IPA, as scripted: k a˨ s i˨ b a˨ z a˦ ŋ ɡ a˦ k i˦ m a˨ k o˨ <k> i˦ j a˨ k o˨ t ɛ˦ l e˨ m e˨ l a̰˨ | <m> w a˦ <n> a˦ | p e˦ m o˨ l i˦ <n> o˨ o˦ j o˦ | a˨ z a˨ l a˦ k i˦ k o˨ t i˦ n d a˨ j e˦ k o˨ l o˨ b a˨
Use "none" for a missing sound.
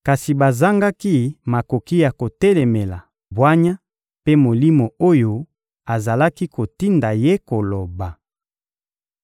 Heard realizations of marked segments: k, b, ɲ, m

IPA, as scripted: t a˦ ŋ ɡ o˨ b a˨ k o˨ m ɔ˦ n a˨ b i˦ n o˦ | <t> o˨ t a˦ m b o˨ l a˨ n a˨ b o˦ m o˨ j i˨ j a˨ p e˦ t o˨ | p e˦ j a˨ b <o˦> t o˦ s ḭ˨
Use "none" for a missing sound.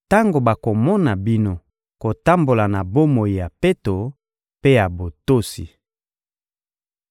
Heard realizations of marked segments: k, o˨

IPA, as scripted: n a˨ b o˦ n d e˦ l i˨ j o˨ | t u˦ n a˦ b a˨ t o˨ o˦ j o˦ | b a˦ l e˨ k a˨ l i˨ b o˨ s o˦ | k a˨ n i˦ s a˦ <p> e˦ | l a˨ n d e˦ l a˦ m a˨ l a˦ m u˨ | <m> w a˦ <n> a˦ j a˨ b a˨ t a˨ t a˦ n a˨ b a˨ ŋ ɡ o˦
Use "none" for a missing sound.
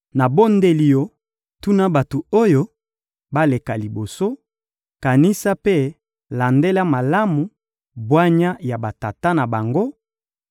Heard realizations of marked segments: p, b, ɲ

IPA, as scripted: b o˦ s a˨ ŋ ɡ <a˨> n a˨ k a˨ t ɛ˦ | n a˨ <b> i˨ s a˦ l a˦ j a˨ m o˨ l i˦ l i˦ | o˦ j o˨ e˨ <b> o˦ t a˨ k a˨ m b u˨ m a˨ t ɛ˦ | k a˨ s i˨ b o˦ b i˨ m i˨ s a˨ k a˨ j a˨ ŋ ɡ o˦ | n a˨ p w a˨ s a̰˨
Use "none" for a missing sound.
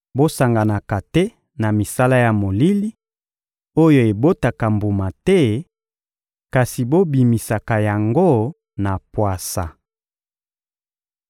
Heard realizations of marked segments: a˨, m, b

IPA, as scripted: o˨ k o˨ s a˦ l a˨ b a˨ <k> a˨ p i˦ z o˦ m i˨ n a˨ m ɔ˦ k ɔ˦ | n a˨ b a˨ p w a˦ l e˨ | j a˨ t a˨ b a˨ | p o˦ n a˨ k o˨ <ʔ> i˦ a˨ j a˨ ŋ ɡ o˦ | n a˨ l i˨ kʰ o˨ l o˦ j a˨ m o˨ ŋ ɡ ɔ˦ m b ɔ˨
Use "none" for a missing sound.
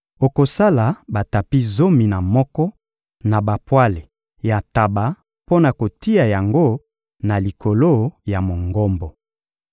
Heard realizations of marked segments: t, t

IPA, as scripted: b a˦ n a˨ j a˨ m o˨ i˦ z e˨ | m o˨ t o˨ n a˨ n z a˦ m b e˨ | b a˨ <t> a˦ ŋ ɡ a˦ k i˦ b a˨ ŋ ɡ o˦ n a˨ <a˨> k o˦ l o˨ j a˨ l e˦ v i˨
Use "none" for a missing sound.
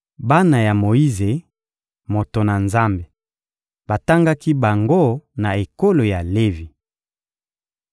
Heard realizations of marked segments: t, e˨

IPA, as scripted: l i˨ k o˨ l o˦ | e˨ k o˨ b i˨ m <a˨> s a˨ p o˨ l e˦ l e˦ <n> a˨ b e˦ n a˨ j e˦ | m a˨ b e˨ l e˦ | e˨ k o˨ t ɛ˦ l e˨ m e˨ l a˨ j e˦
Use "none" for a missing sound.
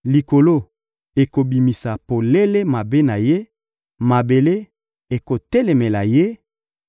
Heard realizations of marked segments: i˨, m

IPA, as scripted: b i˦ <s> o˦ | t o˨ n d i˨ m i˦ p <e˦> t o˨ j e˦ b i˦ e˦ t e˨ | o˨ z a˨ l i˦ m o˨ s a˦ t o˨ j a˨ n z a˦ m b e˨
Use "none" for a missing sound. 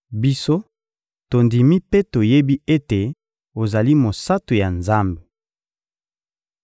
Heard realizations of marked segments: s, e˦

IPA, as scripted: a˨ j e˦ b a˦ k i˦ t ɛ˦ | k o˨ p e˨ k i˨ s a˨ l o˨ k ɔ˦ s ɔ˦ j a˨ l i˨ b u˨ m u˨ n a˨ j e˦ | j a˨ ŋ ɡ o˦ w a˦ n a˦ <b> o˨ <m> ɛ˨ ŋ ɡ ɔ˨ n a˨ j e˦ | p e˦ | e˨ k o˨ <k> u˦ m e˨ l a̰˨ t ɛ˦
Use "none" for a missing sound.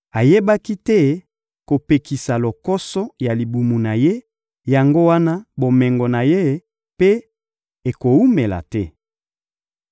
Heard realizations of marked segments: b, m, none

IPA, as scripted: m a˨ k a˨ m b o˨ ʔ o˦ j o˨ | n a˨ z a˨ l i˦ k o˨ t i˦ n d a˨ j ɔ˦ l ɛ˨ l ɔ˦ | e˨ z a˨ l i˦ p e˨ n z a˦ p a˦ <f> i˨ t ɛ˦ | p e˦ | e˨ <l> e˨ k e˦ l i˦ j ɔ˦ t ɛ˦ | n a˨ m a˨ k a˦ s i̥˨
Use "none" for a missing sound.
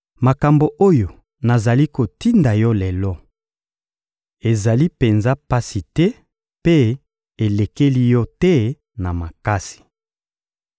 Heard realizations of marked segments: s, l

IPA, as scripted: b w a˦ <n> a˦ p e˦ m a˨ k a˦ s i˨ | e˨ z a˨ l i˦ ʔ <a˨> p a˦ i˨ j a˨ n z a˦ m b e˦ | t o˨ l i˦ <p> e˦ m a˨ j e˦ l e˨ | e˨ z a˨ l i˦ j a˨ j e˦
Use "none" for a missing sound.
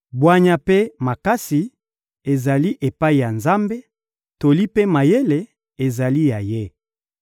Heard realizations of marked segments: ɲ, e˨, p

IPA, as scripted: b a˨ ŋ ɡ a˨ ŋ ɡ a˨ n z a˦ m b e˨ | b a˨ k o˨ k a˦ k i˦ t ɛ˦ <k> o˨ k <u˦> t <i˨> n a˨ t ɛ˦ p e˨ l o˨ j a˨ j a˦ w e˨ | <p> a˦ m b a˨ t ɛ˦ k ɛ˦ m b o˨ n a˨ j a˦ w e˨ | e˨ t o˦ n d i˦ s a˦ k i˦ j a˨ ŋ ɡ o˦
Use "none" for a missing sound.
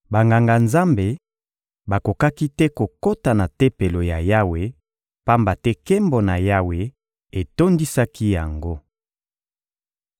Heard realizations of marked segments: k, o˦, a˨, p

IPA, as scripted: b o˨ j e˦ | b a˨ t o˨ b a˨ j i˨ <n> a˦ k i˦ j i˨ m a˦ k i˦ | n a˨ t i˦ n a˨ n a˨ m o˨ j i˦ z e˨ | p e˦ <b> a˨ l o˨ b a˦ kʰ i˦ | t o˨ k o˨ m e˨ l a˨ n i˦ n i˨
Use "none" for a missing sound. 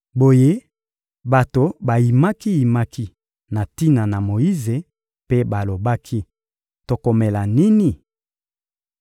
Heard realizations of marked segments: m, b

